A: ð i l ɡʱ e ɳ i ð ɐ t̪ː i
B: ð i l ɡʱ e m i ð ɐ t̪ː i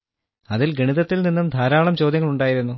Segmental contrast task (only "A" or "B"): A